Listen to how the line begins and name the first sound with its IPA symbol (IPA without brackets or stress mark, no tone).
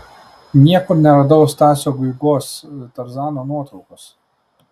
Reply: nʲ